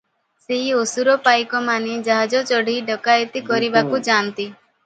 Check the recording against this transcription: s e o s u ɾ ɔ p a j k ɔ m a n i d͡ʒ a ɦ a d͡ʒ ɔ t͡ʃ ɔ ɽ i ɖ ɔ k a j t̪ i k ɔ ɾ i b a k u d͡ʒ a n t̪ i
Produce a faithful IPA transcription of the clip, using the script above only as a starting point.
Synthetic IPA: s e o s u ɾ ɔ p a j k ɔ m a n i d͡ʒ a ɦ a d͡ʒ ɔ t͡ʃ ɔ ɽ i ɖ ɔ k a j t̪ i k ɔ ɾ i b a k u d͡ʒ a n t̪ i